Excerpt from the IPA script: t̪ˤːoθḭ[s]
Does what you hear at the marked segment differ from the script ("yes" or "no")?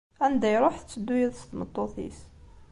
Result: no